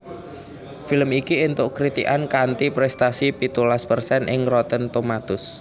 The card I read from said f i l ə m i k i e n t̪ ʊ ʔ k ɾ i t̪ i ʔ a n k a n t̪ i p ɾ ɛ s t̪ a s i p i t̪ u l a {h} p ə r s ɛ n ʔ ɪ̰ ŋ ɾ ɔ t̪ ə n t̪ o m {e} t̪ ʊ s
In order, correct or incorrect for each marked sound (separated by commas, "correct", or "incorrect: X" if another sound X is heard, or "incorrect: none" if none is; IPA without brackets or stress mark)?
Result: incorrect: s, incorrect: a